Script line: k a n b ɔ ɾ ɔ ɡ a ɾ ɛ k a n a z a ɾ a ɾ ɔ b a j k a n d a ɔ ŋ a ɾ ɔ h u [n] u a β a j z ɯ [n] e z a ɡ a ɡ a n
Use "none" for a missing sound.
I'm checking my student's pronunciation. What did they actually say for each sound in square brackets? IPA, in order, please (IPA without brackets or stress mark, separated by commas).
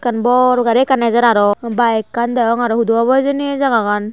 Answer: d, n